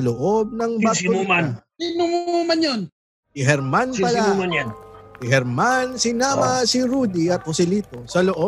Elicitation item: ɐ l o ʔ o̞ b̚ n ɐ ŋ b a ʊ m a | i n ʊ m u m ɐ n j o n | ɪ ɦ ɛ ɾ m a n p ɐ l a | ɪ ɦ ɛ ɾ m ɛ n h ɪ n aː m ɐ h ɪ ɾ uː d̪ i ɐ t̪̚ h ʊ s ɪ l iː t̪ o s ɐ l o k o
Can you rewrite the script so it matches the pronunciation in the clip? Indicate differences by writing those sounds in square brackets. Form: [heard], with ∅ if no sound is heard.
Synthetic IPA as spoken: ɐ l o ʔ o̞ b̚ n ɐ ŋ b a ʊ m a | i n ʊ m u m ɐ n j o n | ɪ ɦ ɛ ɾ m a n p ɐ l a | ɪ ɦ ɛ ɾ m [a] n [s] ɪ n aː m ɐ [s] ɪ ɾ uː d̪ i ɐ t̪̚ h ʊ s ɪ l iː t̪ o s ɐ l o [ʔ] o